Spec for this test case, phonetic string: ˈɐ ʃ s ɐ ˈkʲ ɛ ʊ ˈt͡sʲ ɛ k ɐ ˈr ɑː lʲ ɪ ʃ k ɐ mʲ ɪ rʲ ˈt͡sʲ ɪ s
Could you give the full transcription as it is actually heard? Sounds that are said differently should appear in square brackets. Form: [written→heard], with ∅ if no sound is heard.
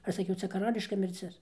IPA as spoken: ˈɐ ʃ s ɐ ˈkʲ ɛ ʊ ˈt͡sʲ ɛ k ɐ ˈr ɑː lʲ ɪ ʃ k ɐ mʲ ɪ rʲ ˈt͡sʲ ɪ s